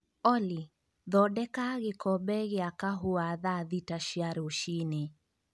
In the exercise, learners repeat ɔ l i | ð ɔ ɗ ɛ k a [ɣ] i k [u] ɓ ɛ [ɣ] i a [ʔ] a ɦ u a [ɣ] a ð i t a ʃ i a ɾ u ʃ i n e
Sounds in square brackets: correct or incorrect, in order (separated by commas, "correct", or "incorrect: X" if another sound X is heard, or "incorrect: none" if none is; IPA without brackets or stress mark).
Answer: correct, incorrect: ɔ, correct, incorrect: k, incorrect: ð